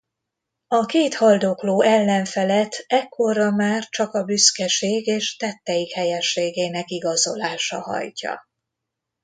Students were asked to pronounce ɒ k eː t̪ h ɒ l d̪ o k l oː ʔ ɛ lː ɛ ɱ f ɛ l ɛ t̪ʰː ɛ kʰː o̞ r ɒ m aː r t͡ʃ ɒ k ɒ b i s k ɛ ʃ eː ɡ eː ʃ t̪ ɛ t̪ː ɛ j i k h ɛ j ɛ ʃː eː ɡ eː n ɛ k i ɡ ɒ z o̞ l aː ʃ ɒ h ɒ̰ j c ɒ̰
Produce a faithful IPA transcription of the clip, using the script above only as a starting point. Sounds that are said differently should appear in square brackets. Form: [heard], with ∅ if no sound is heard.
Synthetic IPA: ɒ k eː t̪ h ɒ l d̪ o k l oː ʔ ɛ lː ɛ ɱ f ɛ l ɛ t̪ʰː ɛ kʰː o̞ r ɒ m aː r t͡ʃ ɒ k ɒ b [y] s k ɛ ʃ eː ɡ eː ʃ t̪ ɛ t̪ː ɛ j i k h ɛ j ɛ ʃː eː ɡ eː n ɛ k i ɡ ɒ z o̞ l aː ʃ ɒ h ɒ̰ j c ɒ̰